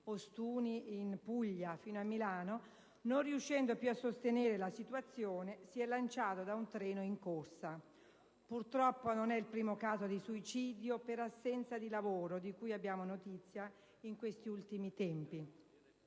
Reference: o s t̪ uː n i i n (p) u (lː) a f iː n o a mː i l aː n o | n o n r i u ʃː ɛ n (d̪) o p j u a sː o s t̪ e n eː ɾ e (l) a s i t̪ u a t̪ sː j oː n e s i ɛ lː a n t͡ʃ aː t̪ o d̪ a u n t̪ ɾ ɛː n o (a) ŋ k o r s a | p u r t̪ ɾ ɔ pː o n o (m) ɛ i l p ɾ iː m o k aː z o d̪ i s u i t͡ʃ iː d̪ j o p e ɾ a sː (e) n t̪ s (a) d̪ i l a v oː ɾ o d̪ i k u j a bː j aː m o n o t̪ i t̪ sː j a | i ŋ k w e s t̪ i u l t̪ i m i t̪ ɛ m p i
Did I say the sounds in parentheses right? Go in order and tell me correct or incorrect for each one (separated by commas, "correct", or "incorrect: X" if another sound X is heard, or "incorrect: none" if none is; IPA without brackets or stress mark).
correct, incorrect: ʎː, correct, correct, incorrect: i, incorrect: n, incorrect: ɛ, correct